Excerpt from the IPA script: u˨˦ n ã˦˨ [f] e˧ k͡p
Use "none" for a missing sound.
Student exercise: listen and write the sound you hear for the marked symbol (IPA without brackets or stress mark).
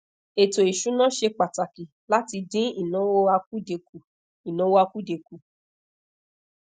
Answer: ʃ